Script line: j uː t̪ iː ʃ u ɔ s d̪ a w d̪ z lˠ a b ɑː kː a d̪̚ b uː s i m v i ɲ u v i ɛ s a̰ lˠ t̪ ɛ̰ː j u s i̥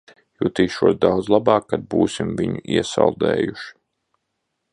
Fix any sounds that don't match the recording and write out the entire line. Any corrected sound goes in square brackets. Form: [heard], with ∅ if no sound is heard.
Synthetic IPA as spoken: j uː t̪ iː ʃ u ɔ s d̪ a w d̪ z lˠ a b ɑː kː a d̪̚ b uː s i m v i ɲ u [∅] i ɛ s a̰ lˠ [d̪] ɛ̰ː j u [ʃ] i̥